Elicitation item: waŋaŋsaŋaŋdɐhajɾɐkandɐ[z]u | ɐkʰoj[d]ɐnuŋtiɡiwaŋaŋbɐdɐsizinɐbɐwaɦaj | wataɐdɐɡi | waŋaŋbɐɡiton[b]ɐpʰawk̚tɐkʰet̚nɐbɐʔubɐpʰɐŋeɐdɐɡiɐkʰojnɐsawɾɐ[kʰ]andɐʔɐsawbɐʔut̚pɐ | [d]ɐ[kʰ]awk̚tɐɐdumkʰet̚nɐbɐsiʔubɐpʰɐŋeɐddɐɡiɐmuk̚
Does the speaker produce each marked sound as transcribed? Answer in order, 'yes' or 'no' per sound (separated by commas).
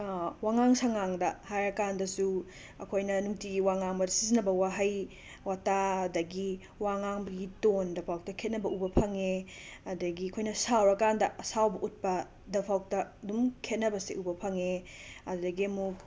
no, no, no, no, yes, no